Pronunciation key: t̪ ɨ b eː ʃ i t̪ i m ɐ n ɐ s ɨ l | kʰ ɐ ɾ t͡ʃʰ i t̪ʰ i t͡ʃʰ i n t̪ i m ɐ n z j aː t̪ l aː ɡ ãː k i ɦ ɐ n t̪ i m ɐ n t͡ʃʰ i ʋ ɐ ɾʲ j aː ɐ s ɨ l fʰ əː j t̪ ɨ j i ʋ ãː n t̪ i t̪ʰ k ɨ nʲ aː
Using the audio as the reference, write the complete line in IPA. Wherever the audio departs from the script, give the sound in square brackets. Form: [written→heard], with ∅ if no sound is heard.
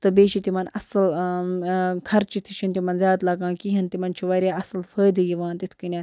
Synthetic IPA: t̪ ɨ b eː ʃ i t̪ i m ɐ n ɐ s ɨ l | kʰ ɐ ɾ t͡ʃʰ i t̪ʰ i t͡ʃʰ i n t̪ i m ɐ n z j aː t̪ l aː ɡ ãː k i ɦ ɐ n t̪ i m ɐ n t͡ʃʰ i ʋ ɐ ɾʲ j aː ɐ s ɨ l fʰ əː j [t̪→d̪] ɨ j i ʋ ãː n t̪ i t̪ʰ k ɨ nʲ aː